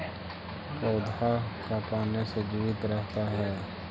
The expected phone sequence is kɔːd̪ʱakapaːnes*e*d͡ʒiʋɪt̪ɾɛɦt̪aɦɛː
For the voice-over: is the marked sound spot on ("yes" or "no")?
yes